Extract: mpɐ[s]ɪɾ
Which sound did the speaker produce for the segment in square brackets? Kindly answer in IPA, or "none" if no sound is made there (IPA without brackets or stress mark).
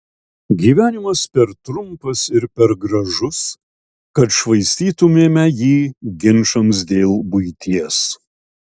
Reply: s